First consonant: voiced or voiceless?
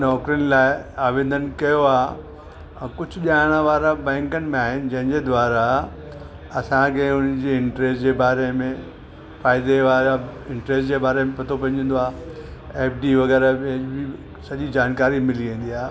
voiced